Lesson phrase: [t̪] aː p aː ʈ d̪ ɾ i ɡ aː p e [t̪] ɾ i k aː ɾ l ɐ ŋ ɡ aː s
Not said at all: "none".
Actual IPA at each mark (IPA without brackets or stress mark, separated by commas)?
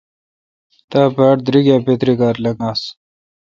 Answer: t̪, t̪